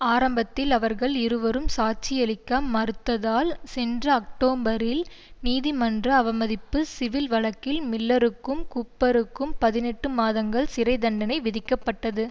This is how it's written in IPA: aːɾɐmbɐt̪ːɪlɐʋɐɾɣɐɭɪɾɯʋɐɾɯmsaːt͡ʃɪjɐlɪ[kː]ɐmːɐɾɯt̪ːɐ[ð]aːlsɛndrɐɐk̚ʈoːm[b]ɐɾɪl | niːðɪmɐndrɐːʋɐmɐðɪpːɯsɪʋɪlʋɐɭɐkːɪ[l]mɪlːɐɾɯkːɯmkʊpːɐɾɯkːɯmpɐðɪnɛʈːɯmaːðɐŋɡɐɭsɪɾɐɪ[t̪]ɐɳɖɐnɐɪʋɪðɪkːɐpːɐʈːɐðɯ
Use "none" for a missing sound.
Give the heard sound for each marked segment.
kː, ð, b, l, d̪

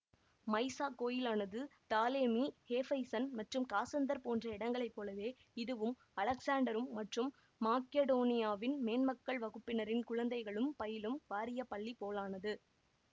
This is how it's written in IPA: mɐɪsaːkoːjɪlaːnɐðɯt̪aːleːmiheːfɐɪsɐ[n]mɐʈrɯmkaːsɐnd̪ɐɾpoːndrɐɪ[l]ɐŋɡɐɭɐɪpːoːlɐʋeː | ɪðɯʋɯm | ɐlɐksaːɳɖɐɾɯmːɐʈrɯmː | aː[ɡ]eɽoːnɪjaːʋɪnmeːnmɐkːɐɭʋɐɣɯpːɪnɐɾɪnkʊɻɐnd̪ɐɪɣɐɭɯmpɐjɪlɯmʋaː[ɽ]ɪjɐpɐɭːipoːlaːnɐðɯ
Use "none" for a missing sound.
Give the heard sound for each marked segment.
n, ɽ, k, ɾ

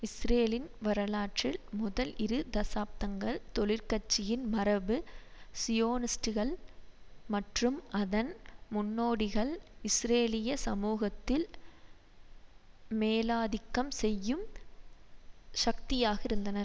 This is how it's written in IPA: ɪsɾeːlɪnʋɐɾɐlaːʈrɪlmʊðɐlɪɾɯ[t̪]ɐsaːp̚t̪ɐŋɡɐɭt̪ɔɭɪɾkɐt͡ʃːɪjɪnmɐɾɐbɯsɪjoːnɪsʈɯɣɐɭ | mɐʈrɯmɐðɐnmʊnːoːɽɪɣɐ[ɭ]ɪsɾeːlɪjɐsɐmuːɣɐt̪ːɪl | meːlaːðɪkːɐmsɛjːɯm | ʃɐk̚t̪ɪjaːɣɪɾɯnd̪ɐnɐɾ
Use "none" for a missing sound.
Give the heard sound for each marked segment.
d̪, ɭ

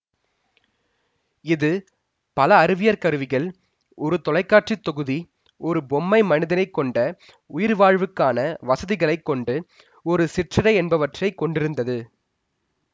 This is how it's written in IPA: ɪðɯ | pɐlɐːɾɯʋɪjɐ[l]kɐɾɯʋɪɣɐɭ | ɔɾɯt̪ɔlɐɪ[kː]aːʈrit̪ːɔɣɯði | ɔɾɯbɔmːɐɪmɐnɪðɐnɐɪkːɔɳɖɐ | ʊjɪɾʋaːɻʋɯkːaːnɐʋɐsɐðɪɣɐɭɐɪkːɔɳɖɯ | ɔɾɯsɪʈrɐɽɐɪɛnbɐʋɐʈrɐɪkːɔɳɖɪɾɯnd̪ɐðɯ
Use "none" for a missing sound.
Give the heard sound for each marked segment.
ɾ, kː

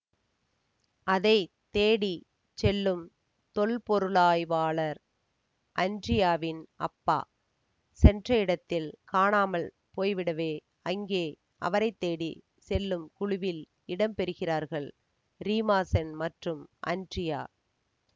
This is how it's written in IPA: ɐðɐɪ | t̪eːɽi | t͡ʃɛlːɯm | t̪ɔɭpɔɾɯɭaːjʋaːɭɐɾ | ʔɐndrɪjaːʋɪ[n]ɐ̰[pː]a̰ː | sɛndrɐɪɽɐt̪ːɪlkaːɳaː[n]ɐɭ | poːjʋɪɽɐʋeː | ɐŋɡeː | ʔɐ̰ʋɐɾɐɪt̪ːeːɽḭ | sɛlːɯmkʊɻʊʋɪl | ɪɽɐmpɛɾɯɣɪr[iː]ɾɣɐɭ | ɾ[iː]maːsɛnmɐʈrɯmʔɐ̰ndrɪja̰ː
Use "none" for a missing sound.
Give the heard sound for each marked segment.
n, pː, m, aː, iː

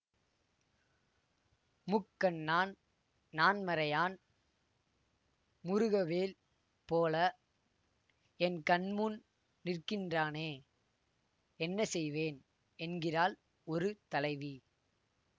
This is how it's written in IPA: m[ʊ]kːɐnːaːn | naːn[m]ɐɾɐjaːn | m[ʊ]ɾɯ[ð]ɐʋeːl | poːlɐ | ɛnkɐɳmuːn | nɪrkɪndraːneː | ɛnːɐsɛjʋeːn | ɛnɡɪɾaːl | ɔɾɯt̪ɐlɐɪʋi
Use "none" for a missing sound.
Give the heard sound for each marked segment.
ʊ, m, ʊ, ɣ

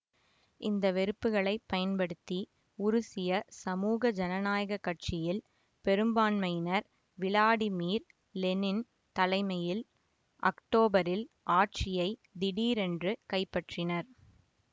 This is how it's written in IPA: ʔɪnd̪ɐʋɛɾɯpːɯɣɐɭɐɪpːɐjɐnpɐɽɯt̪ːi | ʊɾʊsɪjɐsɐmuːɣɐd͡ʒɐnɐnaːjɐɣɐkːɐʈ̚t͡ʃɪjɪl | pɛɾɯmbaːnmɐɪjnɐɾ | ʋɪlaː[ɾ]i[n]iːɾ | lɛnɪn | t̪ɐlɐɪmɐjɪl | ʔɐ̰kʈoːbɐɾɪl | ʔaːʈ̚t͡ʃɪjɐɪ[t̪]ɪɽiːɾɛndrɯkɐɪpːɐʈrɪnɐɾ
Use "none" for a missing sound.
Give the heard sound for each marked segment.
ɽ, m, d̪

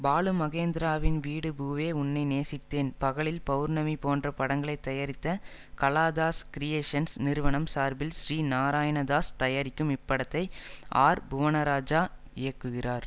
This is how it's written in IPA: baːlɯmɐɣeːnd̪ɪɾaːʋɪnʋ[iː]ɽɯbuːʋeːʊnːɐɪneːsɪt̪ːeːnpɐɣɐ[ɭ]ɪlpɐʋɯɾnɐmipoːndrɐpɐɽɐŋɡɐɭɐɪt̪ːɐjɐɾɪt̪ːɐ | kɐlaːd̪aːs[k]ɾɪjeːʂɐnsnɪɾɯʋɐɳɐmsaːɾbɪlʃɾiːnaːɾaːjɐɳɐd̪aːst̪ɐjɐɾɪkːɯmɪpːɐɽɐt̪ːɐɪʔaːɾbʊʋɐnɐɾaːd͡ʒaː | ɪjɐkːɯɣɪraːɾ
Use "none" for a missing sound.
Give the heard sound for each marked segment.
iː, ɭ, k

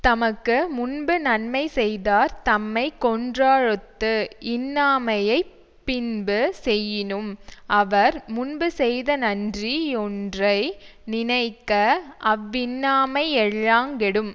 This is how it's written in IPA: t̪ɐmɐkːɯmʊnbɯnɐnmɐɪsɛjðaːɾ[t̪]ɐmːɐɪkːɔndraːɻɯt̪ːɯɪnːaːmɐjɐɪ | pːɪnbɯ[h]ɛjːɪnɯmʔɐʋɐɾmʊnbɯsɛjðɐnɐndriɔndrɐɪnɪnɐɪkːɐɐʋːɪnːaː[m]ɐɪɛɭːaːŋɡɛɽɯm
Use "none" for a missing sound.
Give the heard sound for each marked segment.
t̪, s, m

